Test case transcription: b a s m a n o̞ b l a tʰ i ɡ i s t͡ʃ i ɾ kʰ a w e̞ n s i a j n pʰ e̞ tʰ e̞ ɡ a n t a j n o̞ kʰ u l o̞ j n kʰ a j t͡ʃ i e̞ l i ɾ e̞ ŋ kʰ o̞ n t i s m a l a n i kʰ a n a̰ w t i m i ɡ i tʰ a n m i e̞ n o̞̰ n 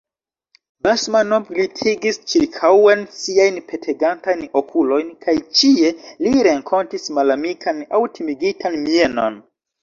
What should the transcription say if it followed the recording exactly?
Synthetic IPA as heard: b a s m a n o̞ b l i tʰ i ɡ i s t͡ʃ i ɾ kʰ a w e̞ n s i a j n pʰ e̞ tʰ e̞ ɡ a n t a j n o̞ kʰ u l o̞ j n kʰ a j t͡ʃ i e̞ l i ɾ e̞ ŋ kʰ o̞ n t i s m a l a m i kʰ a n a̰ w t i m i ɡ i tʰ a n m i e̞ n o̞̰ n